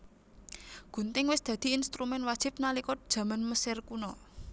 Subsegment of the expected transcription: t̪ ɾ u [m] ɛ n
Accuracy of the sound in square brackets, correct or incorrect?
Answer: correct